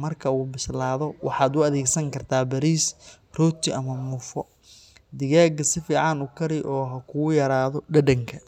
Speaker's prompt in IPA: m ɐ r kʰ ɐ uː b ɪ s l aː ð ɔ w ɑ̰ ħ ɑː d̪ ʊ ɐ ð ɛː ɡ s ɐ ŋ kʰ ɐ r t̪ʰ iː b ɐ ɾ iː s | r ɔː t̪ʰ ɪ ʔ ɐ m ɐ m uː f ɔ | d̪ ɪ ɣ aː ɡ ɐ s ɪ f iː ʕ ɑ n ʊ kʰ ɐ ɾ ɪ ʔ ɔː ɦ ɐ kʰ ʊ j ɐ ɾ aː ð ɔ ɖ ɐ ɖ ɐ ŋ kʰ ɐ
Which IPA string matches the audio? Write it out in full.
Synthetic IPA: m ɐ r kʰ ɐ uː b ɪ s l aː ð ɔ w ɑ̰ ħ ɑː d̪ ʊ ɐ ð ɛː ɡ s ɐ ŋ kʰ ɐ r t̪ʰ aː b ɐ ɾ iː s | r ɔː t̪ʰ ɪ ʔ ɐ m ɐ m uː f ɔ | d̪ ɪ ɣ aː ɡ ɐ s ɪ f iː ʕ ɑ n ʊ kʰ ɐ ɾ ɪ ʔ ɔː ɦ ɐ kʰ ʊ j ɐ ɾ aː ð ɔ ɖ ɐ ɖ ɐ ŋ kʰ ɐ